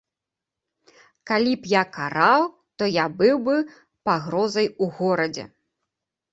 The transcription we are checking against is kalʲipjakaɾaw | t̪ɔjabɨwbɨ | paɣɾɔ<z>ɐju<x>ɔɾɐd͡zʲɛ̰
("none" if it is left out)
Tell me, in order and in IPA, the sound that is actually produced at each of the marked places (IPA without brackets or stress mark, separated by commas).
z, ɣ